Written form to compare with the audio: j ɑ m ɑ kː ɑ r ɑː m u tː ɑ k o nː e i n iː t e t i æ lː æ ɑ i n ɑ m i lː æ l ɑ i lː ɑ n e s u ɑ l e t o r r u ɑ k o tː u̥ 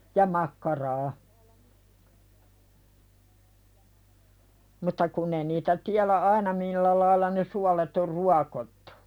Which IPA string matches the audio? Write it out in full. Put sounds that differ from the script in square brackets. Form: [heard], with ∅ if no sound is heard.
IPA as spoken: j ɑ m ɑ kː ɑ r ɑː m u tː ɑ k [u] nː e i n iː t [æ] t i æ [l] æ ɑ i n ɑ m i lː æ l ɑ i lː ɑ n e s u ɑ l e t o r r u ɑ k o tː u̥